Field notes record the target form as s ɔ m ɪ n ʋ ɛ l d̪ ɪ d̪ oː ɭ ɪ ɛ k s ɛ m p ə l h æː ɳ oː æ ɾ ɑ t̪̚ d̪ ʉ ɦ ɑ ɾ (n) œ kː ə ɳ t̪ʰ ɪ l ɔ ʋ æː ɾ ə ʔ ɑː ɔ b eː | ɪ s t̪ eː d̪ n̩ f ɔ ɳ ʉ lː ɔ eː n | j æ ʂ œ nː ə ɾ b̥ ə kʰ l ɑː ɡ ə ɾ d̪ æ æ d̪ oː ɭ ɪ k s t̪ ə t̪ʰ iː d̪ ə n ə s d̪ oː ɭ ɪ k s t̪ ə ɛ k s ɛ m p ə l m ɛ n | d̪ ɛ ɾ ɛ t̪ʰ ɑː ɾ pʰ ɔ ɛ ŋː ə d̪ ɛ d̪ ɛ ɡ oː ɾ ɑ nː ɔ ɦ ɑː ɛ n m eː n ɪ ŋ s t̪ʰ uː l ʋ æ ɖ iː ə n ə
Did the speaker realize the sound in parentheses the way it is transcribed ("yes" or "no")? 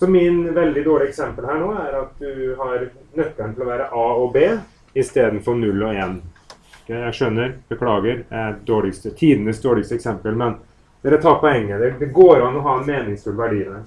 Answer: yes